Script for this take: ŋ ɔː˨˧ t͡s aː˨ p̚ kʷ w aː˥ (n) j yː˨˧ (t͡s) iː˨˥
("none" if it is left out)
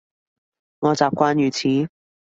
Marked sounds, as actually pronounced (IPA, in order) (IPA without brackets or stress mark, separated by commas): n, t͡sʰ